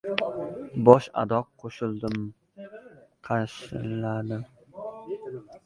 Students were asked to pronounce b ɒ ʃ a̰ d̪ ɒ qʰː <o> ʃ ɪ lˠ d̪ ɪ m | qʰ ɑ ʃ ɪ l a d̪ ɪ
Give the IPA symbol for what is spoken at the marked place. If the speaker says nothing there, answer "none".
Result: o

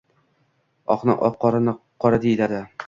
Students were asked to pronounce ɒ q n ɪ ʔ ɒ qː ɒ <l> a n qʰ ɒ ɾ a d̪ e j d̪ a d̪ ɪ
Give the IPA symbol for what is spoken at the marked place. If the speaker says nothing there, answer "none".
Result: ɾ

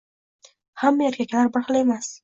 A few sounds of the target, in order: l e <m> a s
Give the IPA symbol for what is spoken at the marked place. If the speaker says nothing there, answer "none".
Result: m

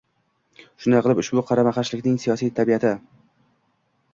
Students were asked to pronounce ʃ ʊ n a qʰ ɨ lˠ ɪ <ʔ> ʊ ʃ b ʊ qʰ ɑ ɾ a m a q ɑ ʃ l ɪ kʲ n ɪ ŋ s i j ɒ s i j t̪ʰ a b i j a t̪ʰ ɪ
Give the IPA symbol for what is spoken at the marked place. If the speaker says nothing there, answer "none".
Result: p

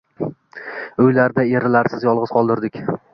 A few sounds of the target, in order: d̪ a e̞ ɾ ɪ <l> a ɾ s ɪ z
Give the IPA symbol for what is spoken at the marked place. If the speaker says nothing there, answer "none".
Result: l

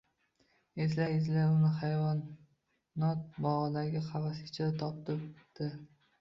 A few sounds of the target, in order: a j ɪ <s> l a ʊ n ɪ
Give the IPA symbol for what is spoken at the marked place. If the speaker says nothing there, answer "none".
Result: z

